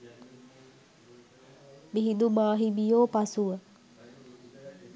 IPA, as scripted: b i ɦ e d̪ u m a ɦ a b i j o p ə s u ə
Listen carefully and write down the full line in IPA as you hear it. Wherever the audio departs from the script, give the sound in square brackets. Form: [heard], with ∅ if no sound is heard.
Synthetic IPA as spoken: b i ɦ [i] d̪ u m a ɦ [i] b i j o p [a] s u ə

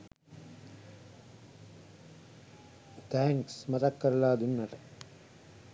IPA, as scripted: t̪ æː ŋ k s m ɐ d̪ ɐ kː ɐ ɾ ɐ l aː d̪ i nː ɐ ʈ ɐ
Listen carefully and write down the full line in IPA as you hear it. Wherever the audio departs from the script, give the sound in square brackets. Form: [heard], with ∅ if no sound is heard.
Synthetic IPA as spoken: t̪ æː ŋ k s m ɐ [t̪] ɐ kː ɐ ɾ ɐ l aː d̪ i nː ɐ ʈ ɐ

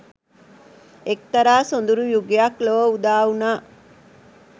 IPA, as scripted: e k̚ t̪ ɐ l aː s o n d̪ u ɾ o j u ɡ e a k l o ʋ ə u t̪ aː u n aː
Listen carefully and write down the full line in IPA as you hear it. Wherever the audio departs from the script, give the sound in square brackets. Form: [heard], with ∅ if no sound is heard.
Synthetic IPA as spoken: e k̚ t̪ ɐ [ɾ] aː s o n d̪ u ɾ [u] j u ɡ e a k l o ʋ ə u [d̪] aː u n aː

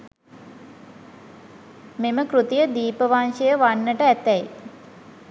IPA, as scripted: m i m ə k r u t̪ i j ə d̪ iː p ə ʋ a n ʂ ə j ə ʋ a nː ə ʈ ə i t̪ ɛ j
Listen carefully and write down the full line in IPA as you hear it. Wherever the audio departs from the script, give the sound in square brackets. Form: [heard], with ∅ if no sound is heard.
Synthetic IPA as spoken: m [e] m ə k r u t̪ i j ə d̪ iː p ə ʋ a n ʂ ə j ə ʋ a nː ə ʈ ə [æ] t̪ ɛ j

